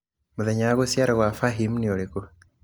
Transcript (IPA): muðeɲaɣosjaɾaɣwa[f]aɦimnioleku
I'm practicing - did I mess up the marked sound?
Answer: no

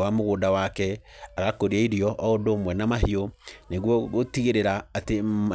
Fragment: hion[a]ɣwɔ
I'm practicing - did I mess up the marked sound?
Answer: yes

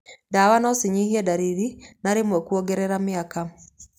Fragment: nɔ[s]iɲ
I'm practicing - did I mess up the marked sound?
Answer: no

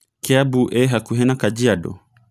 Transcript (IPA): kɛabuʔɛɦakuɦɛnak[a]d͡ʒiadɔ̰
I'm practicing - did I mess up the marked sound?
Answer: no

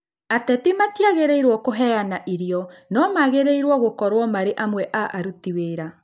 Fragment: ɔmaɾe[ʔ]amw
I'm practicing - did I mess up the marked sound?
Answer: no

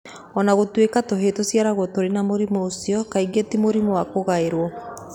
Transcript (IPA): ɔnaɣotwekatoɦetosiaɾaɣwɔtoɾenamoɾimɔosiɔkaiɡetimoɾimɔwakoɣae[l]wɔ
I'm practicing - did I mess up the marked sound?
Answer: yes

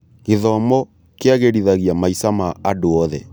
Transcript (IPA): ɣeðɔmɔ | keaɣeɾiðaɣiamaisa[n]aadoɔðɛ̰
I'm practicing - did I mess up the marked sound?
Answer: yes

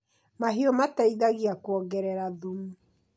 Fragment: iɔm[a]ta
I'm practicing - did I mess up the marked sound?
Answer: no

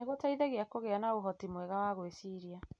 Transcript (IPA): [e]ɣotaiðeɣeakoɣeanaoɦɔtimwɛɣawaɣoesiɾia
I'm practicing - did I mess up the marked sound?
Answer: no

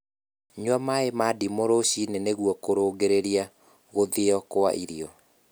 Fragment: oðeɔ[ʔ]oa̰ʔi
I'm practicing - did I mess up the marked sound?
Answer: yes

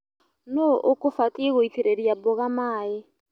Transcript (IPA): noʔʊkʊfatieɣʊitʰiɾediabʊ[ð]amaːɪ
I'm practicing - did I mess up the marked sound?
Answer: yes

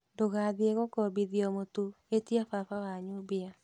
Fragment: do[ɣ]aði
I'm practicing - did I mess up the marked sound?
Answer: no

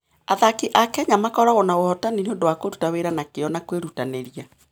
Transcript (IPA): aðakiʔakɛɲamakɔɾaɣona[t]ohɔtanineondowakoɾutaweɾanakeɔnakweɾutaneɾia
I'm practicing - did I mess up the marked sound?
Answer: yes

